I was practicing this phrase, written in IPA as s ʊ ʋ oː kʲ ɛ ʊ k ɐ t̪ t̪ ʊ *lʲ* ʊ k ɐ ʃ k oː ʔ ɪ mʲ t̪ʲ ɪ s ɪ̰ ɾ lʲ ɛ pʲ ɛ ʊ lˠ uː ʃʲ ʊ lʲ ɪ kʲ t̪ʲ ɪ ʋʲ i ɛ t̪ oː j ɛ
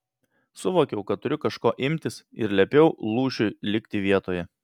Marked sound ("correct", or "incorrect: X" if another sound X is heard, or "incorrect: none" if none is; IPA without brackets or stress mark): incorrect: ɾʲ